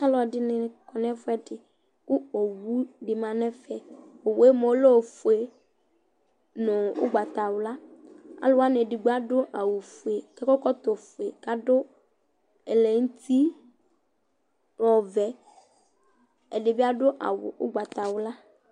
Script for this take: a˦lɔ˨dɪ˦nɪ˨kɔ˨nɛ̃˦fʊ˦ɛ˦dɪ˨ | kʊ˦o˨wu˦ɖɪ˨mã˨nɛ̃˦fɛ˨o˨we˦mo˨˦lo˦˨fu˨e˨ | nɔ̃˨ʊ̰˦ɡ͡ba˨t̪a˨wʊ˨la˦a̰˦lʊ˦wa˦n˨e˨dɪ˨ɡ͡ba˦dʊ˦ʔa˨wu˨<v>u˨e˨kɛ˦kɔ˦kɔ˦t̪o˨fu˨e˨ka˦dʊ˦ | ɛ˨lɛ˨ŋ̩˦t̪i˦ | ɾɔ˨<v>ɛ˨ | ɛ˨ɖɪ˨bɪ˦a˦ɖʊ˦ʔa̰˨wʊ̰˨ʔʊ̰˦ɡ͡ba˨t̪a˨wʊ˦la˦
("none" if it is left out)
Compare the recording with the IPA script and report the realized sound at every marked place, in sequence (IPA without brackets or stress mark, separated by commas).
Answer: f, v